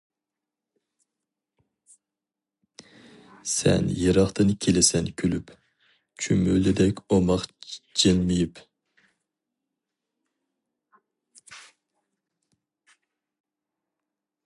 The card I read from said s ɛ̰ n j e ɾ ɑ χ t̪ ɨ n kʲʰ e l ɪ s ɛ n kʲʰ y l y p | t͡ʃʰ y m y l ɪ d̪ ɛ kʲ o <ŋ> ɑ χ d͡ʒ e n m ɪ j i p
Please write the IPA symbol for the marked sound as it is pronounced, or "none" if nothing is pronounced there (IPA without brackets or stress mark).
m